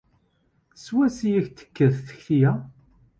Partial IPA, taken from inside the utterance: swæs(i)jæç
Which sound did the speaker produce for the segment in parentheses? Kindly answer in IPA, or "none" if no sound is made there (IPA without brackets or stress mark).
i